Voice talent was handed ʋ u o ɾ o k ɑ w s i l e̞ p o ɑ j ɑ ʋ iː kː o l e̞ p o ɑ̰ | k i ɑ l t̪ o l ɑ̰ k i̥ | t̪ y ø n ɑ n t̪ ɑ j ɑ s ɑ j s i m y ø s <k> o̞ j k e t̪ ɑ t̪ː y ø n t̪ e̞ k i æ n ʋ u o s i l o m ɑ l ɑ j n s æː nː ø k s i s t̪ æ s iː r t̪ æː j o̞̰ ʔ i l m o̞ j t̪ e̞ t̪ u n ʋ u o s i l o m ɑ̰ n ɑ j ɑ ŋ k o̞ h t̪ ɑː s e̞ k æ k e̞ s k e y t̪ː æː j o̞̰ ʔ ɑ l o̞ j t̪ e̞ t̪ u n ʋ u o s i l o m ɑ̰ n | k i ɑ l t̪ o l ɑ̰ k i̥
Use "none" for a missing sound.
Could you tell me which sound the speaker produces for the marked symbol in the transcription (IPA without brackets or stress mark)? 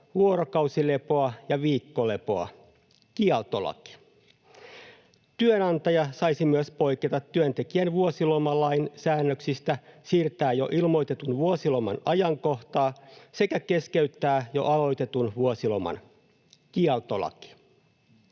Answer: p